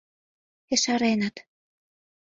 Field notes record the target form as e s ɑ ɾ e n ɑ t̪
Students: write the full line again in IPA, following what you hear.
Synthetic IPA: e ʃ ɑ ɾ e n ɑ t̪